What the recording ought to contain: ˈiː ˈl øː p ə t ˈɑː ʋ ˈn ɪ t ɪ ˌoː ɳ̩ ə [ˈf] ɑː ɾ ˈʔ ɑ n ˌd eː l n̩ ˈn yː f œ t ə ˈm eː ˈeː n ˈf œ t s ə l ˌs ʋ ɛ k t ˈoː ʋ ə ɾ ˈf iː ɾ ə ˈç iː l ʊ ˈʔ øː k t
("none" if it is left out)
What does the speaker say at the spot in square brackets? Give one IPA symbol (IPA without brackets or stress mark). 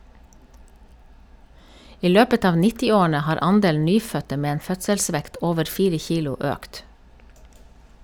h